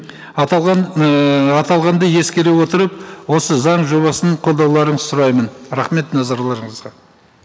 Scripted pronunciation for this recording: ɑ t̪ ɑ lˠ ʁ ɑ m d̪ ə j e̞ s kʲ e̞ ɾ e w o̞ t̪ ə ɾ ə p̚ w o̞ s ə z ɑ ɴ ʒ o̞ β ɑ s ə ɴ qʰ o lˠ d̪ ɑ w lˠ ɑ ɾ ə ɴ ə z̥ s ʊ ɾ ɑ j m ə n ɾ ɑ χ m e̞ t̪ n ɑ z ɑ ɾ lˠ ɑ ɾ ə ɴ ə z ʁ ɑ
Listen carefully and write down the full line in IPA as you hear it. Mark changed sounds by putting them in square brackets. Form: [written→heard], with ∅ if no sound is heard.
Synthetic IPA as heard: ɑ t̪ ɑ lˠ ʁ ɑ [m→n] d̪ ə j e̞ s kʲ e̞ ɾ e w o̞ t̪ ə ɾ ə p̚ w o̞ s ə z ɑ ɴ ʒ o̞ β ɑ s ə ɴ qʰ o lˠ d̪ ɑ w lˠ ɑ ɾ ə ɴ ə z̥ s ʊ ɾ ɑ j m ə n ɾ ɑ χ m e̞ t̪ n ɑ z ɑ ɾ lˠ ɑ ɾ ə ɴ ə z ʁ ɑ

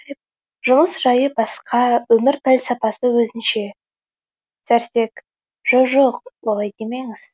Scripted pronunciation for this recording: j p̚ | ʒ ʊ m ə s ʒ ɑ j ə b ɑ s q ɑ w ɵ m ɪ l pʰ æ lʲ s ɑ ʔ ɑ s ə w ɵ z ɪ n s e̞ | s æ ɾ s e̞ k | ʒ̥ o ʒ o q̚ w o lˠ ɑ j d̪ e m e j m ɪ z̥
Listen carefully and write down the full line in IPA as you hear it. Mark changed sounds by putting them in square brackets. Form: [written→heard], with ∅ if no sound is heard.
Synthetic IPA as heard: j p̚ | ʒ ʊ m ə s ʒ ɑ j ə b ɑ s q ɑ w ɵ m ɪ [l→ɾ] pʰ æ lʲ s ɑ [ʔ→p] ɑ s ə w ɵ z ɪ n [s→ʃ] e̞ | s æ ɾ s e̞ k | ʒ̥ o ʒ o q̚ w o lˠ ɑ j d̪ e m e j [m→ŋ] ɪ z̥

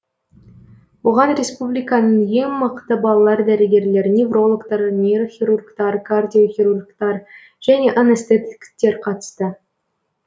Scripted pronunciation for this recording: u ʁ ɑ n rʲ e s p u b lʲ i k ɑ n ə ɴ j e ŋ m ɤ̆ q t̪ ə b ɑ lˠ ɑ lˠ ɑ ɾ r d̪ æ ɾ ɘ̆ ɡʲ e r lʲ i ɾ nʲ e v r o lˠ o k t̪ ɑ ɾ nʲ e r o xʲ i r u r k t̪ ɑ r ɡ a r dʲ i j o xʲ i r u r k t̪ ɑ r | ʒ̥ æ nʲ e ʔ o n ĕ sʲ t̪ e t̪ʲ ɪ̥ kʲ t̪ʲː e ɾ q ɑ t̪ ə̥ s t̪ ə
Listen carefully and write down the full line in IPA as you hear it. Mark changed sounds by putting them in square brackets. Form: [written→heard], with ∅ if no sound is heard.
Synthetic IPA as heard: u ʁ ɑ n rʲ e s p u b lʲ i k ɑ n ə ɴ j e ŋ m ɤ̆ q t̪ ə b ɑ lˠ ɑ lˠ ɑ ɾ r d̪ æ ɾ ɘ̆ ɡʲ e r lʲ [i→e] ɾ nʲ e v r o lˠ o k t̪ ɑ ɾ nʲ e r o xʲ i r u r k t̪ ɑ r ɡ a r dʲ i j o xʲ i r u r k t̪ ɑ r | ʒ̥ æ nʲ e ʔ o n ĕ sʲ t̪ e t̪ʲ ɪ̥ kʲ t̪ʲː e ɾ q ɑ t̪ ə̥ s t̪ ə

